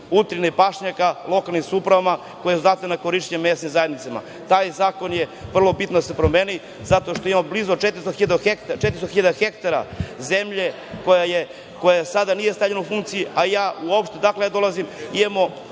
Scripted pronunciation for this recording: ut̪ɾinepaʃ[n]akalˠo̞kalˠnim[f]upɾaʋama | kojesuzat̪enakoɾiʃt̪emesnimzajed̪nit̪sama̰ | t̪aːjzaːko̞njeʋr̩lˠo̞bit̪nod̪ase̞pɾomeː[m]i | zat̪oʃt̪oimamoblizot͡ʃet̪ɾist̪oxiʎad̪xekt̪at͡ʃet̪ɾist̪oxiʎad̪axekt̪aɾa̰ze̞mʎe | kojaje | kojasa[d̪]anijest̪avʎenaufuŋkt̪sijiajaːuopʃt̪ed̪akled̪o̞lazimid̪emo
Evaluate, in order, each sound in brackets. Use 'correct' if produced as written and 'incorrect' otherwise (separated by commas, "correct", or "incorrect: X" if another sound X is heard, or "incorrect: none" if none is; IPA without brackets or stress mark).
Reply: incorrect: ɲ, incorrect: s, incorrect: n, correct